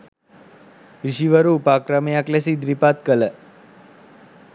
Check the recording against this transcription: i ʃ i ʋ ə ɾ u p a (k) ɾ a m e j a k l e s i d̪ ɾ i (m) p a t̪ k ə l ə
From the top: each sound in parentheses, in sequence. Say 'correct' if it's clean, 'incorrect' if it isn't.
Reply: correct, incorrect

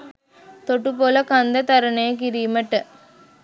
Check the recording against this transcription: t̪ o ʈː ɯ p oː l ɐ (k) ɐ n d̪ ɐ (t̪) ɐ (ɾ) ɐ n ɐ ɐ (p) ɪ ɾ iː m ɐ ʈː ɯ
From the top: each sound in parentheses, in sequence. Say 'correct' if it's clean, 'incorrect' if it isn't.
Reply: correct, correct, correct, incorrect

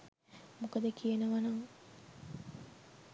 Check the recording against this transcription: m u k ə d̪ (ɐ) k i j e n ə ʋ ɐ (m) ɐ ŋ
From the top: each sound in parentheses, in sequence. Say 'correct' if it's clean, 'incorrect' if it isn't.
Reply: incorrect, incorrect

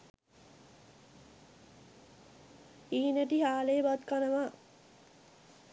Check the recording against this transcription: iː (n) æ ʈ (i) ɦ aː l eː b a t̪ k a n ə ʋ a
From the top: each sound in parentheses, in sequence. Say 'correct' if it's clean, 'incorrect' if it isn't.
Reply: correct, correct

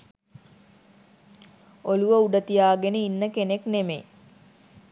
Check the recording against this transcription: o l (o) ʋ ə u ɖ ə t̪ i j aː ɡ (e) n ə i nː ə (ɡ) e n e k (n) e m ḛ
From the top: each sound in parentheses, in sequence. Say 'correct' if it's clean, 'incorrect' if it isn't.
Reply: incorrect, correct, incorrect, correct

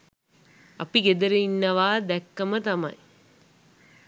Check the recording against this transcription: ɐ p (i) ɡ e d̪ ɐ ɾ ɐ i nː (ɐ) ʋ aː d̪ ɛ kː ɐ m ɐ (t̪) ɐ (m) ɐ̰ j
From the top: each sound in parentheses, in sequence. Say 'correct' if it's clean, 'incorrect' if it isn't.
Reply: correct, correct, correct, correct

